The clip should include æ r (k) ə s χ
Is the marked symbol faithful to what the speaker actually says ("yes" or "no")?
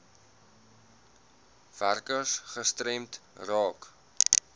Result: yes